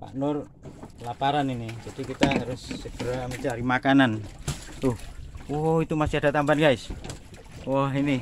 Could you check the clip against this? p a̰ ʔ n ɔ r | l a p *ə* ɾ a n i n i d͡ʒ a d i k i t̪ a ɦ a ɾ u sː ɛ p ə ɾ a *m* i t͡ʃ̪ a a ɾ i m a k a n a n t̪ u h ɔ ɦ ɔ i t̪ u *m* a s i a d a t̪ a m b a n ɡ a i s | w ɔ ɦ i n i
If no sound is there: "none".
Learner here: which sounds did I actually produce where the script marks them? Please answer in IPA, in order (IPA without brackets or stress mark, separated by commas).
a, m, m